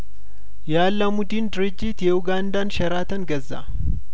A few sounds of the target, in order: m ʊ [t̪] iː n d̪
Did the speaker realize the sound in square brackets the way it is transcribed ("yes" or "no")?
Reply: no